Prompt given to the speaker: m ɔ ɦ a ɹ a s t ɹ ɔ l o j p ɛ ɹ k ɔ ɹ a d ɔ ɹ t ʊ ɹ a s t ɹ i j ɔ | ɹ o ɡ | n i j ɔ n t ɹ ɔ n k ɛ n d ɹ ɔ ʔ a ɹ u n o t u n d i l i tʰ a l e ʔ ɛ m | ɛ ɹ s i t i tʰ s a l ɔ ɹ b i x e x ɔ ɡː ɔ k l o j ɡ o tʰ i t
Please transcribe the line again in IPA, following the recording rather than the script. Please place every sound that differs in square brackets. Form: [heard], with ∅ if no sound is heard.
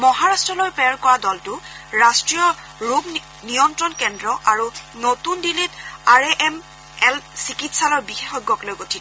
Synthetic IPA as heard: m ɔ ɦ a ɹ a s t ɹ ɔ l o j p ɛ ɹ k ɔ ɹ a d ɔ [l] t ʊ ɹ a s t ɹ i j ɔ | ɹ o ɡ | n i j ɔ n t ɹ ɔ n k ɛ n d ɹ ɔ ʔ a ɹ u n o t u n d i l i [t] a [ɹ] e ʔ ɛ m | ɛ [l] s i [k] i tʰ s a l ɔ ɹ b i x e x ɔ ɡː ɔ k l o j ɡ o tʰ i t